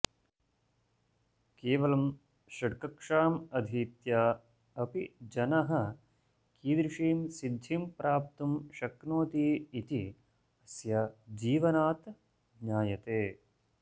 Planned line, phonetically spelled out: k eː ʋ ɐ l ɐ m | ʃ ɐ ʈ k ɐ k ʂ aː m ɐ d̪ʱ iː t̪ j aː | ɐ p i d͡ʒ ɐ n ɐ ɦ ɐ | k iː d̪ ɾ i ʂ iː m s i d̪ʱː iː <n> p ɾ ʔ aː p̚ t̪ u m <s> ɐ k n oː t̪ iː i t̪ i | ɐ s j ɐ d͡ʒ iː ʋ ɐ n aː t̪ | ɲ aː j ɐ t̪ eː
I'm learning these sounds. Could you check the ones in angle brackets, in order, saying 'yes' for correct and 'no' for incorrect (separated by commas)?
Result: no, no